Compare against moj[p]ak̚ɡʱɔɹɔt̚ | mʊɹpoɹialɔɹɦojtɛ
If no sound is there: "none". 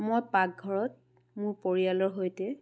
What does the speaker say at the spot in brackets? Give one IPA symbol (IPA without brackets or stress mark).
p